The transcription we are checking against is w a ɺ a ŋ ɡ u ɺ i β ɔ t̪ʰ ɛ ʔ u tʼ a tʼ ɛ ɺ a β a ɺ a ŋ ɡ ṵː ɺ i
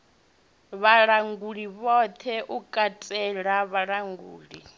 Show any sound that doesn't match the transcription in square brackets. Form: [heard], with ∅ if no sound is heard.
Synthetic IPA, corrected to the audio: [β] a ɺ a ŋ ɡ u ɺ i β ɔ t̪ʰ ɛ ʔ u [kʼ] a tʼ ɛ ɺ a β a ɺ a ŋ ɡ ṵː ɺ i